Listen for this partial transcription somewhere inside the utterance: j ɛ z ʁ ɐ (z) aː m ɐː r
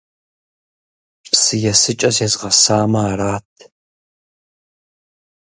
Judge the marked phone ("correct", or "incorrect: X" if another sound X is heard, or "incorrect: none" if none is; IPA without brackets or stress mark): incorrect: s